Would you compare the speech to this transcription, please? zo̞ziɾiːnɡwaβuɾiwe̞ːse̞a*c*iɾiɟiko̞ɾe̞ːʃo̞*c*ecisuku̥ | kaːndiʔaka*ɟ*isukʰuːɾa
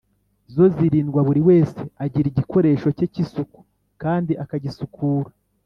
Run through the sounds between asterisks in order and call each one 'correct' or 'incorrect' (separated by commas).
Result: incorrect, correct, correct